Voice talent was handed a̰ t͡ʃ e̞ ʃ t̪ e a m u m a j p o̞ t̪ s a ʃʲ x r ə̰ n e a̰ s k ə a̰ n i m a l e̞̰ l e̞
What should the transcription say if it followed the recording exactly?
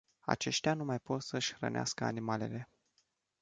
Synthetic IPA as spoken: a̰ t͡ʃ e̞ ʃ t̪ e a n u m a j p o̞ t̪ s ə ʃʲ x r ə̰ n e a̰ s k ə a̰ n i m a l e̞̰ l e̞